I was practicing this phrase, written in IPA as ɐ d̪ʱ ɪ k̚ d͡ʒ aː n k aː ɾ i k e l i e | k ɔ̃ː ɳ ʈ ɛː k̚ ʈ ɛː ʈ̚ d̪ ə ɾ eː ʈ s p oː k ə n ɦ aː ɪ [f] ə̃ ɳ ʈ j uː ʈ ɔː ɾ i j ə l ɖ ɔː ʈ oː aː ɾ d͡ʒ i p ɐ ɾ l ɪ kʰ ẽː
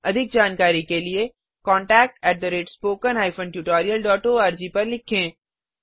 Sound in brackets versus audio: correct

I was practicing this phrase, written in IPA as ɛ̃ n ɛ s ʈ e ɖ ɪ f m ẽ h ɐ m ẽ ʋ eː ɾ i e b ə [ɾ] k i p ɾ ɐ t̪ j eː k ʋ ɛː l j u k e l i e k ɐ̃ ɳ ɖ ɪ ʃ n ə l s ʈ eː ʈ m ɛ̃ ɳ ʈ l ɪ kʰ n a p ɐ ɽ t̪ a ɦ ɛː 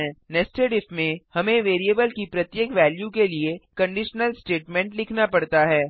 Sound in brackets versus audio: incorrect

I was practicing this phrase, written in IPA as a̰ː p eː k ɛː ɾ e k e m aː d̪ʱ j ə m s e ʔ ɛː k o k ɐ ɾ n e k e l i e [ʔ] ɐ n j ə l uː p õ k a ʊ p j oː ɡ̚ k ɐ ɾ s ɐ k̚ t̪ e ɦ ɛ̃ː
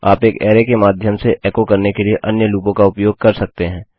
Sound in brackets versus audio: correct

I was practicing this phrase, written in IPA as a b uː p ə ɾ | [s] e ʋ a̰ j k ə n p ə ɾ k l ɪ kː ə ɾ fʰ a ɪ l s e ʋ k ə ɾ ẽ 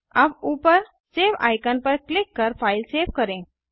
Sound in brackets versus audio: correct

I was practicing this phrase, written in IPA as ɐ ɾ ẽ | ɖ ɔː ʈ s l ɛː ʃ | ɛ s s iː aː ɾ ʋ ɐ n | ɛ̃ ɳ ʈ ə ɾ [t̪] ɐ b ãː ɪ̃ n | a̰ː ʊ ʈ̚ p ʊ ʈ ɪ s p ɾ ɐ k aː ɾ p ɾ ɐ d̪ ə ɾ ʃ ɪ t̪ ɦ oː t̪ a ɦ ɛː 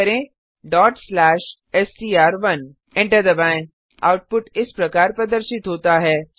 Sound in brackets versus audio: incorrect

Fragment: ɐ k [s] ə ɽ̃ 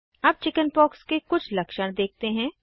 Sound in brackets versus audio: incorrect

